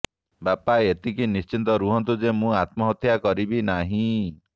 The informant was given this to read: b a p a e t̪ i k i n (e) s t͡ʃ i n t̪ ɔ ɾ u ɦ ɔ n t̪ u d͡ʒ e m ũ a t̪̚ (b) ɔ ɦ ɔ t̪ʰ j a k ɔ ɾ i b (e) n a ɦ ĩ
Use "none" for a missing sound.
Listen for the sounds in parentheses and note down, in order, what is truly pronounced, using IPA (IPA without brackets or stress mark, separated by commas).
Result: i, m, i